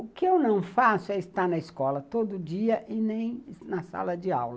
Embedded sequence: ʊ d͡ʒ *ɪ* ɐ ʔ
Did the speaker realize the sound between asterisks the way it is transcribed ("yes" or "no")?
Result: no